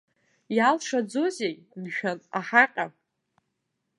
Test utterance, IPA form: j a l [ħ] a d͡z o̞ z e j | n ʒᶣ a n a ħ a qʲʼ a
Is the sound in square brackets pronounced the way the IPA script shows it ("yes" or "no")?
no